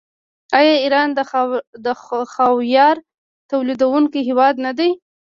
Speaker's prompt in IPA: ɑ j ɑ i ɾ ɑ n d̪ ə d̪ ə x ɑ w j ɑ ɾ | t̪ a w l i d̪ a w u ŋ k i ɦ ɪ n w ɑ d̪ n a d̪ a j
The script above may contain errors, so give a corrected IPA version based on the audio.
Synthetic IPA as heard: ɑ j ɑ i ɾ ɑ n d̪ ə d̪ ə x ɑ w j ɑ ɾ | t̪ a w l i d̪ a w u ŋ k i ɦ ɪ w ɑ d̪ n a d̪ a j